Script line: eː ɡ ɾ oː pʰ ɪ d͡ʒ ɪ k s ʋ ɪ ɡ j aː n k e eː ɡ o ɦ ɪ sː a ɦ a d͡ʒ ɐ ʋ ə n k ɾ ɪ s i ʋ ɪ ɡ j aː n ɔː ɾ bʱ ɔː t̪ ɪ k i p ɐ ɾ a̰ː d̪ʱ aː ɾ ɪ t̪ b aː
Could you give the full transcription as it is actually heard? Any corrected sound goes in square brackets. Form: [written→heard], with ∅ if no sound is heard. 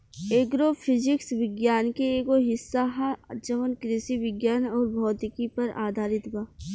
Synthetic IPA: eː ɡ ɾ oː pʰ ɪ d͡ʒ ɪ k s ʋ ɪ ɡ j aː n k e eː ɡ o ɦ ɪ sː a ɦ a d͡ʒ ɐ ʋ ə n k ɾ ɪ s i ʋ ɪ ɡ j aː n ɔː ɾ bʱ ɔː t̪ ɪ k i p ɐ ɾ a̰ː d̪ʱ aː ɾ ɪ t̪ b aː